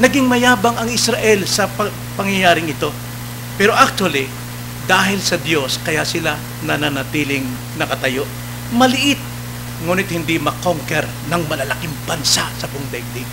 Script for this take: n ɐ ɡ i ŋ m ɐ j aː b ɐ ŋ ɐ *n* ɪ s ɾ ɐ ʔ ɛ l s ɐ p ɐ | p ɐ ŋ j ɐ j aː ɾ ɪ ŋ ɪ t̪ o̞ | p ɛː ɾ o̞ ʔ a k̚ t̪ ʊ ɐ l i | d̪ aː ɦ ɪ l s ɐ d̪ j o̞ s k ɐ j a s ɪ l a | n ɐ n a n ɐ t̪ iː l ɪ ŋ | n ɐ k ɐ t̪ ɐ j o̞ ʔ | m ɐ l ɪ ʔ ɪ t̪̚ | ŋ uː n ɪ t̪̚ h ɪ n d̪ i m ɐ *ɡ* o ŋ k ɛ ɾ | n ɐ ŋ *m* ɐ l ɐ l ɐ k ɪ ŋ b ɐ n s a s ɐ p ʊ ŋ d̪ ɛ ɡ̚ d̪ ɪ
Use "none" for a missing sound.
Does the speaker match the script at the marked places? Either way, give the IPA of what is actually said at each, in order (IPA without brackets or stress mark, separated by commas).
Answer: ŋ, k, m